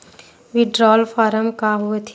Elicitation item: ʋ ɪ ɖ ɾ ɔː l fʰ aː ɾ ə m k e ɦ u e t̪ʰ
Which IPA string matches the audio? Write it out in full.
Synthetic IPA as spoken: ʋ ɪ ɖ ɾ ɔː l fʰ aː ɾ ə m k a ɦ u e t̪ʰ